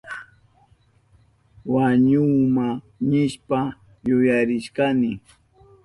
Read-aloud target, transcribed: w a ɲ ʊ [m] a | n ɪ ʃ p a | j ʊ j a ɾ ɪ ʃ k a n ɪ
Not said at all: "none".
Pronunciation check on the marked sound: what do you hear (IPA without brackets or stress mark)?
m